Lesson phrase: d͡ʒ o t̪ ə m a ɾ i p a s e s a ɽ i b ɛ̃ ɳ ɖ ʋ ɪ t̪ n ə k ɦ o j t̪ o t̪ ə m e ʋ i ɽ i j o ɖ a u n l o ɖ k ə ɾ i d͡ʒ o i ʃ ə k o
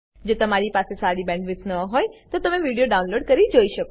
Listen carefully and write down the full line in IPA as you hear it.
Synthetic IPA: d͡ʒ o t̪ ə m a ɾ i p a s e s a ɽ i b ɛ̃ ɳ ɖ ʋ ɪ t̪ n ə ɦ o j t̪ o t̪ ə m e ʋ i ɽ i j o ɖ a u n l o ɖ k ə ɾ i d͡ʒ o i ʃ ə k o